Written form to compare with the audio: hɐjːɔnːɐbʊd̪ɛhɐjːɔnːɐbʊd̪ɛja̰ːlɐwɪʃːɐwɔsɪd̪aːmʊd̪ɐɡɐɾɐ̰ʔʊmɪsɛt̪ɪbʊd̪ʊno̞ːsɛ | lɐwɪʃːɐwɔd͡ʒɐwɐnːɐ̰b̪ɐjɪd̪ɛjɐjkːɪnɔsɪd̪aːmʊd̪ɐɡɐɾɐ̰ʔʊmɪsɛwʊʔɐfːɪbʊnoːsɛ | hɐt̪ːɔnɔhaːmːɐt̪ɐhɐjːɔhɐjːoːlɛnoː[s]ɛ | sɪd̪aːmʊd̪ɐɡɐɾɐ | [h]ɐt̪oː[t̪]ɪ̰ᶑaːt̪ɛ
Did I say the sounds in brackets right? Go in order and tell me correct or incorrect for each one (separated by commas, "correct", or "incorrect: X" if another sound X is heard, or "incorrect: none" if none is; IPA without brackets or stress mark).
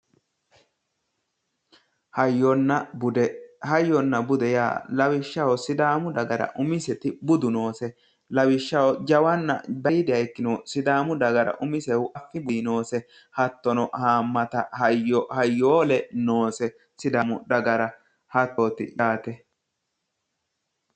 correct, correct, correct